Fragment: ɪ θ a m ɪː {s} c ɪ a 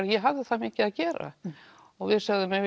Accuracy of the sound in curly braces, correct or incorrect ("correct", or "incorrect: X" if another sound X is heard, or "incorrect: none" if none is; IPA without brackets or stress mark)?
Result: incorrect: none